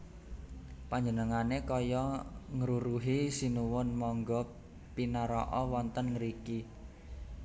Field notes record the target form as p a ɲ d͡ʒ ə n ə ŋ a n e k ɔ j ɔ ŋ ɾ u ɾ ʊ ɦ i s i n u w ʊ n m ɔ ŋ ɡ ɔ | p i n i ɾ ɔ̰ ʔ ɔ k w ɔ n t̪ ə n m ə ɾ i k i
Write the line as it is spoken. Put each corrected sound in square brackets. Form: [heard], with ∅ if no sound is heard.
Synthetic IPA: p a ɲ d͡ʒ ə n ə ŋ a n e k ɔ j ɔ ŋ ɾ u ɾ [u] ɦ i s i n u w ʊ n m ɔ ŋ ɡ ɔ | p i n [a] ɾ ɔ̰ ʔ ɔ [∅] w ɔ n t̪ ə n [ŋ] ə ɾ i k i